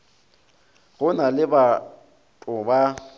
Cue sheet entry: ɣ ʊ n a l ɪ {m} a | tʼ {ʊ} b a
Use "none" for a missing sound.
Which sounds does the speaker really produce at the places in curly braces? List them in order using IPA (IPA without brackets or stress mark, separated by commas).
b, ʊ